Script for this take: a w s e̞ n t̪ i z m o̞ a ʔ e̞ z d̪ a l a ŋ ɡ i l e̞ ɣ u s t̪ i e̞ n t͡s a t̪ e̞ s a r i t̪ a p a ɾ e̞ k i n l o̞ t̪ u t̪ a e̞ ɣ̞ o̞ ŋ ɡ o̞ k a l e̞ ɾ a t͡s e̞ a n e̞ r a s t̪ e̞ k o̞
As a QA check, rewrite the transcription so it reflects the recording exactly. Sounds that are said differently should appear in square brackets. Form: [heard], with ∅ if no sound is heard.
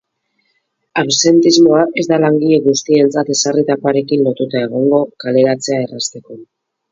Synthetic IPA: a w s e̞ n t̪ i z m o̞ a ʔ e̞ z d̪ a l a ŋ ɡ i [ʎ] e̞ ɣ u s t̪ i e̞ n t͡s a t̪ e̞ s a r i t̪ a p a ɾ e̞ k i n l o̞ t̪ u t̪ a e̞ ɣ̞ o̞ ŋ ɡ o̞ k a l e̞ ɾ a t͡s e̞ a [∅] e̞ r a s t̪ e̞ k o̞